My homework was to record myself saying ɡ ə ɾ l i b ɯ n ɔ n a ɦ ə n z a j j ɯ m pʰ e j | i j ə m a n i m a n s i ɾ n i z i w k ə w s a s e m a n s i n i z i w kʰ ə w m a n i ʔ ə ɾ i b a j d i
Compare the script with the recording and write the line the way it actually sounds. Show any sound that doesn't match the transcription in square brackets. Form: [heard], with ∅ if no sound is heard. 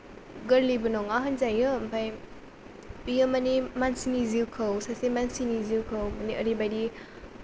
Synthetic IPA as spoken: ɡ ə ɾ l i b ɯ n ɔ [ŋ] a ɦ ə n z a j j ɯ m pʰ [a] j | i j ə m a n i m a n s i [∅] n i z i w [kʰ] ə w s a s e m a n s i n i z i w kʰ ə w m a n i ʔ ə ɾ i b a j d i